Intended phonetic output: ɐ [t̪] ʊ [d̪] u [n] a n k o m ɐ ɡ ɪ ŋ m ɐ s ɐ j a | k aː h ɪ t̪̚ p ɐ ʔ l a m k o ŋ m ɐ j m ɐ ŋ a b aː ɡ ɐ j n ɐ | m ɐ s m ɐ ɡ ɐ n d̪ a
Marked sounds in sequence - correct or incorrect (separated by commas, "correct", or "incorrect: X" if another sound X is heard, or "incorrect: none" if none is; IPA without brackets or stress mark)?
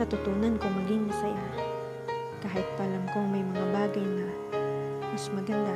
correct, incorrect: t̪, correct